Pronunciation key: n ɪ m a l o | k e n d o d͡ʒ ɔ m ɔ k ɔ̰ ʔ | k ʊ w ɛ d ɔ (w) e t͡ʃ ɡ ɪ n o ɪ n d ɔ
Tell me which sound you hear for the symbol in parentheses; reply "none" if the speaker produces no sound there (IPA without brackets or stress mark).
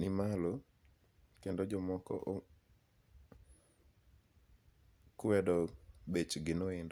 b